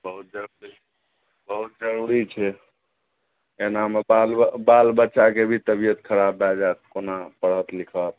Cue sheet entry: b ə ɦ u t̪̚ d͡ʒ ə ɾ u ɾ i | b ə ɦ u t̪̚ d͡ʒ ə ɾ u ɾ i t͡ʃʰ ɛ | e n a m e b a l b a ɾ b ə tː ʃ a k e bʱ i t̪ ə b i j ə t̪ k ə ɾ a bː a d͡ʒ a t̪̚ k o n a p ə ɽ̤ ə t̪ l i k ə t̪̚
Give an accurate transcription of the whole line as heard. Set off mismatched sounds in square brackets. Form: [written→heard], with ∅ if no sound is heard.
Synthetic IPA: b ə ɦ u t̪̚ d͡ʒ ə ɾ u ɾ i | b ə ɦ u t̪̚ d͡ʒ ə ɾ u ɾ i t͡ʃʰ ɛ | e n a m e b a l b a [ɾ→l] b ə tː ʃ a k e bʱ i t̪ ə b i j ə t̪ [k→kʰ] ə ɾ a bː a d͡ʒ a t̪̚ k o n a p ə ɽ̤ ə t̪ l i [k→kʰ] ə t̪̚